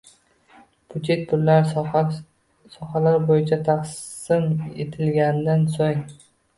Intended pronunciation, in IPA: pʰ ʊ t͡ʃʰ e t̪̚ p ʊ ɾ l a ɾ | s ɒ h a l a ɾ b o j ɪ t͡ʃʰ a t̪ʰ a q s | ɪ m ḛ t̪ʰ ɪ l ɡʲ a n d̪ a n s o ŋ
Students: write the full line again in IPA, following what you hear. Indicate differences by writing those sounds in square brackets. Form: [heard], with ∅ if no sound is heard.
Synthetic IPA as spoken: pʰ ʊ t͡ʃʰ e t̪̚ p ʊ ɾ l a ɾ | s ɒ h a l a ɾ b o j ɪ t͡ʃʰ a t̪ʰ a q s | ɪ m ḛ t̪ʰ ɪ l ɡʲ a n d̪ a n s o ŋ